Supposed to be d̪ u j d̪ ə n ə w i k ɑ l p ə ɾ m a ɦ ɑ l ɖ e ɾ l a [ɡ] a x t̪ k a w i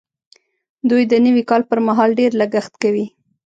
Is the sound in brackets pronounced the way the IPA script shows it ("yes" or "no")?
yes